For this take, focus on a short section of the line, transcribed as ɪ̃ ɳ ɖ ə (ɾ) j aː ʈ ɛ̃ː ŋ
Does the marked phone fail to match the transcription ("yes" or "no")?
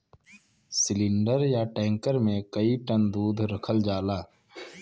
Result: no